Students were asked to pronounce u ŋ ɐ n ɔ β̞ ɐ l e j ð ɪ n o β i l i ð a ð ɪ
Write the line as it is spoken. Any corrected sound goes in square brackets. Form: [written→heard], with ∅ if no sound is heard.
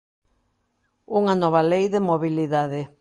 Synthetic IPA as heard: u ŋ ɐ n ɔ β̞ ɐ l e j ð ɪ [n→m] o β i l i ð a ð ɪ

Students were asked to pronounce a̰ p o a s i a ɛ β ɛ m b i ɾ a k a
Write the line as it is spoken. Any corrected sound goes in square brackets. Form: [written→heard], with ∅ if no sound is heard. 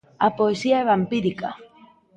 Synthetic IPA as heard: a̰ p o [a→e] s i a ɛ β [ɛ→a] m [b→p] i ɾ [a→i] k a

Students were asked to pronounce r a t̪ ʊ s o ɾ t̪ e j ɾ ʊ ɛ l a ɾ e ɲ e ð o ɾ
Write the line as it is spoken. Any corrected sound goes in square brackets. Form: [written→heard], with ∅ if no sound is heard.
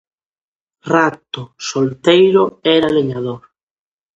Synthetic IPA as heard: r a t̪ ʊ s o [ɾ→l] t̪ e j ɾ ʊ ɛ [l→ɾ] a [ɾ→l] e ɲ [e→a] ð o ɾ

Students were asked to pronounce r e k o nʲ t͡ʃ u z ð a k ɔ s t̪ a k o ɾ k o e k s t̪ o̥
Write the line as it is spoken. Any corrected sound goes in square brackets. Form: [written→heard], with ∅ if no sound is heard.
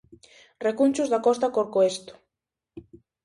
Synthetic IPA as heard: r e k [o→u] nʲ t͡ʃ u z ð a k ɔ s t̪ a k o ɾ k o e [k→∅] s t̪ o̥

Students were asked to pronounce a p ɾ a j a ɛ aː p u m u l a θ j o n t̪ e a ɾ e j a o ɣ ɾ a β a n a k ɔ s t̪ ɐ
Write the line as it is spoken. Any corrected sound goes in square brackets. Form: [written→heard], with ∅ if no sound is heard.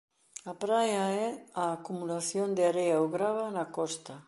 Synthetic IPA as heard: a p ɾ a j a ɛ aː [p→k] u m u l a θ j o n [t̪→d̪] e a ɾ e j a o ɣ ɾ a β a n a k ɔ s t̪ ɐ

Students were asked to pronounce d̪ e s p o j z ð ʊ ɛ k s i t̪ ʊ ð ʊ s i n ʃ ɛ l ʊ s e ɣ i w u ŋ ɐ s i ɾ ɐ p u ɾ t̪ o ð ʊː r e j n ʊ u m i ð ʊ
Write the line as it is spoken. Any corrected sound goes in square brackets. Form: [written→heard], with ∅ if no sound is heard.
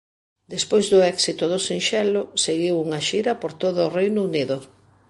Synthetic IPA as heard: d̪ e s p o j z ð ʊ ɛ k s i t̪ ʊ ð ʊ s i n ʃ ɛ l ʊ s e ɣ i w u ŋ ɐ [s→ʃ] i ɾ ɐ p [u→o] ɾ t̪ o ð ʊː r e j n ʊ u [m→n] i ð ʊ

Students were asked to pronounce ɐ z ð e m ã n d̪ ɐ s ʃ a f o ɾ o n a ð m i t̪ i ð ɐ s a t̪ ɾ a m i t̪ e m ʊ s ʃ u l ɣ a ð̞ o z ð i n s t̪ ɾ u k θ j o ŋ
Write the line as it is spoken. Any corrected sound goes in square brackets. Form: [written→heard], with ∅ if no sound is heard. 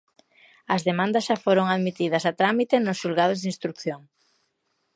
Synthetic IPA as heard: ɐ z ð e m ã n d̪ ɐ s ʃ a f o ɾ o [n→ŋ] a ð m i t̪ i ð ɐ s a t̪ ɾ a m i t̪ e [m→n] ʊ s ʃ u l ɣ a ð̞ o z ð i n s t̪ ɾ u k θ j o ŋ

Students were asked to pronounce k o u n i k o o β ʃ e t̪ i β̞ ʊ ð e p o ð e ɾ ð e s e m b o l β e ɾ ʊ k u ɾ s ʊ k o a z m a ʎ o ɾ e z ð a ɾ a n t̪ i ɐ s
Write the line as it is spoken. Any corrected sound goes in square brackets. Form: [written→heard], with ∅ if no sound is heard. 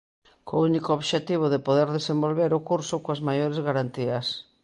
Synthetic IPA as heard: k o u n i k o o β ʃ e t̪ i β̞ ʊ ð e p o ð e ɾ ð e s e m b o l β e ɾ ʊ k u ɾ s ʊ k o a z m a [ʎ→j] o ɾ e z [ð→ɣ] a ɾ a n t̪ i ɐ s

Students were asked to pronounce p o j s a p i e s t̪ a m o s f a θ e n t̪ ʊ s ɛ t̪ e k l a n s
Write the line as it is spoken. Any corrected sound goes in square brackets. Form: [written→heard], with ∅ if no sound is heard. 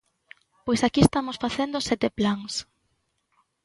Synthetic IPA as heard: p o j s a [p→k] i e s t̪ a m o s f a θ e n [t̪→d̪] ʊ s ɛ t̪ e [k→p] l a [n→ŋ] s

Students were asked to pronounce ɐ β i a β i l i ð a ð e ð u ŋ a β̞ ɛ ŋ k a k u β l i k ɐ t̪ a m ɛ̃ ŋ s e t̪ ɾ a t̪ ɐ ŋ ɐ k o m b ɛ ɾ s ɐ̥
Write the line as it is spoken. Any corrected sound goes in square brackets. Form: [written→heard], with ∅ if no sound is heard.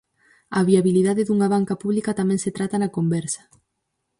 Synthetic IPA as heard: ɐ β i a β i l i ð a ð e ð u ŋ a β̞ [ɛ→a] ŋ k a [k→p] u β l i k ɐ t̪ a m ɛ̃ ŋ s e t̪ ɾ a t̪ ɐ [ŋ→n] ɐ k o m b ɛ ɾ s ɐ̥

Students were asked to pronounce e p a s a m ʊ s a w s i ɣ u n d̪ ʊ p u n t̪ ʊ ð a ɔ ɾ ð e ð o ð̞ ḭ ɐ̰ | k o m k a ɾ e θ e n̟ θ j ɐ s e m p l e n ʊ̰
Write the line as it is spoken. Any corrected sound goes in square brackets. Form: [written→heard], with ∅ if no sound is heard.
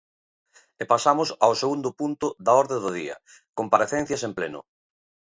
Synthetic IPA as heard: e p a s a m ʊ s a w s [i→e] ɣ u n d̪ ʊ p u n t̪ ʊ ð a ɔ ɾ ð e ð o ð̞ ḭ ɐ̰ | k o m [k→p] a ɾ e θ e n̟ θ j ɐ s e m p l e n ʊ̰

